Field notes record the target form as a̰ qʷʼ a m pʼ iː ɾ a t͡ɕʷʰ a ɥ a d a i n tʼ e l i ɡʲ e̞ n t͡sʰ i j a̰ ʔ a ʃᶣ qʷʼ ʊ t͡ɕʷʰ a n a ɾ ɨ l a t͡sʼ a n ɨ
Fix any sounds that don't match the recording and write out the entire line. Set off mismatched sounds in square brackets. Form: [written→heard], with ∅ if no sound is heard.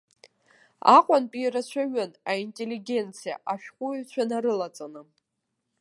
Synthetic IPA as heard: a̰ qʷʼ a [m→n] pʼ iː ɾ a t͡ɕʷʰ a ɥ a [d→n] a i n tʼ e l i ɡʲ e̞ n t͡sʰ i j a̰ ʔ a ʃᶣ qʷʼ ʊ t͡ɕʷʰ a n a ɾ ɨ l a t͡sʼ a n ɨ